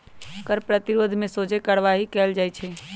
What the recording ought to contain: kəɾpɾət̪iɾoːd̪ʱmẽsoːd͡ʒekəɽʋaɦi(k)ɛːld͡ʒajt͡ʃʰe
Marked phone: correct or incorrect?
correct